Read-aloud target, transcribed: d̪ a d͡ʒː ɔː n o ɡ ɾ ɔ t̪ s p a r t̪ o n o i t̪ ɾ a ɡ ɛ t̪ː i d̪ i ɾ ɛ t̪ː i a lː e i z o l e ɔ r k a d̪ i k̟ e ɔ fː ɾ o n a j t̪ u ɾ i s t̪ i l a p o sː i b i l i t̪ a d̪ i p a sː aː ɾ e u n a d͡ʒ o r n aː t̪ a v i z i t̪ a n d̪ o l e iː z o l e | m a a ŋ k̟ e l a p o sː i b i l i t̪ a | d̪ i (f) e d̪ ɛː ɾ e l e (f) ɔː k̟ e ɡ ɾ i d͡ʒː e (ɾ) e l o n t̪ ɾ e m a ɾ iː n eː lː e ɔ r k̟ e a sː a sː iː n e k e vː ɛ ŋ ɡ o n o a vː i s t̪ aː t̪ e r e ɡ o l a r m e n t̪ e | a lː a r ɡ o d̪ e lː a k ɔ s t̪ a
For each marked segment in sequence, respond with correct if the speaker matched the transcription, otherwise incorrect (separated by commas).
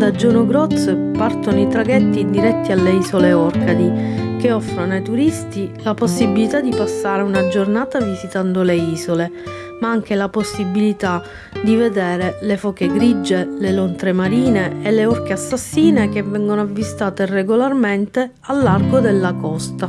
incorrect, correct, incorrect